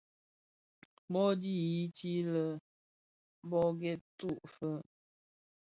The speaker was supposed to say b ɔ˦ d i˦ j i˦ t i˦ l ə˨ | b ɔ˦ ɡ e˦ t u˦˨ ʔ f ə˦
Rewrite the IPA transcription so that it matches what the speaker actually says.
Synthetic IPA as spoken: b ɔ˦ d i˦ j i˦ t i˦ l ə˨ | b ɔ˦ ɡ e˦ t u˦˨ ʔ f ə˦